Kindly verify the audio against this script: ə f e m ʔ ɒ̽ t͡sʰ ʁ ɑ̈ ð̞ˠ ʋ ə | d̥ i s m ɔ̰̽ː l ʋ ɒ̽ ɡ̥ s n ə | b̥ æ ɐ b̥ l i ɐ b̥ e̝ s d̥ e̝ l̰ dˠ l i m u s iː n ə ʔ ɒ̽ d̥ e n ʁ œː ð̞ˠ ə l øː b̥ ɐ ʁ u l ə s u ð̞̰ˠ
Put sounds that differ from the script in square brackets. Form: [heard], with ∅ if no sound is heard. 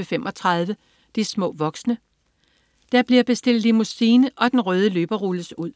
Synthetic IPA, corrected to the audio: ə f e m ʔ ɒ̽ t͡sʰ ʁ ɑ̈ ð̞ˠ ʋ ə | d̥ i s m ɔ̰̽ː [∅] ʋ ɒ̽ ɡ̥ s n ə | [d̥] æ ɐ b̥ l i ɐ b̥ e̝ s d̥ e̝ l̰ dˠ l i m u s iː n ə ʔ ɒ̽ d̥ e n ʁ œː ð̞ˠ ə l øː b̥ ɐ ʁ u l ə s u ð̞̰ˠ